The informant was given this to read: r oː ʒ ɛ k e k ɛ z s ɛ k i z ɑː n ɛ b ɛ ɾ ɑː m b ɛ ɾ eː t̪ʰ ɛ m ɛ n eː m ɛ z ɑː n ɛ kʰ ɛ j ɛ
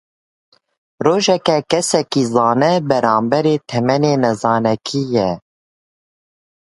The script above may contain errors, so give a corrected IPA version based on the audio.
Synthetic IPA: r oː ʒ ɛ k ɛ k ɛ s ɛ k i z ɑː n ɛ b ɛ ɾ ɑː m b ɛ ɾ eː t̪ʰ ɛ m ɛ n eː n ɛ z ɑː n ɛ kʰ i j ɛ